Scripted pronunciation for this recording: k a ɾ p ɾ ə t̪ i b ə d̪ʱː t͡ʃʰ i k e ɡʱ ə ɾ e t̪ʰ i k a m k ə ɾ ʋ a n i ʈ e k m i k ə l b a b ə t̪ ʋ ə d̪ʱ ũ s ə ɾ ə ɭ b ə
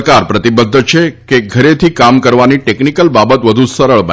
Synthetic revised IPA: k a ɾ p ɾ ə t̪ i b ə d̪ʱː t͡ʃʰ e k e ɡʱ ə ɾ e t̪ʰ i k a m k ə ɾ ʋ a n i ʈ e k n i k ə l b a b ə t̪ ʋ ə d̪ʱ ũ s ə ɾ ə ɭ b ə